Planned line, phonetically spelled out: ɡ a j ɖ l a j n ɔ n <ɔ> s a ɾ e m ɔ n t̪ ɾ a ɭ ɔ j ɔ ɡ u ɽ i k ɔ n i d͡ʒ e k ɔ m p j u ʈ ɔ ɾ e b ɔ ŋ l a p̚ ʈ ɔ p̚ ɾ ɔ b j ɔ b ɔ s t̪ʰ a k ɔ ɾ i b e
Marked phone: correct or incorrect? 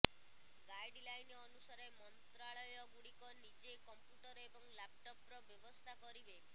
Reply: incorrect